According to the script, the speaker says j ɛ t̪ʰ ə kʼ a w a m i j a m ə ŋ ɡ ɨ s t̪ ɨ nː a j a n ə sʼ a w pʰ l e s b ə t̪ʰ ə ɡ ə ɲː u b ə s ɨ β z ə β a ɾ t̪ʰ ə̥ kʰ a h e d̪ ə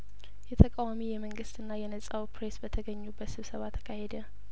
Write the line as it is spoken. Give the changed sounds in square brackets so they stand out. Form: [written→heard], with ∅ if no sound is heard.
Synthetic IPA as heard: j ɛ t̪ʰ ə kʼ a w a m i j [a→ɛ] m ə ŋ ɡ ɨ s t̪ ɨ nː a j [a→ɛ] n ə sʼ a w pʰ [l→ɾ] e s b ə t̪ʰ ə ɡ ə ɲː u b ə s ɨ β [z→s] ə β a [ɾ→∅] t̪ʰ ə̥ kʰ a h e d̪ ə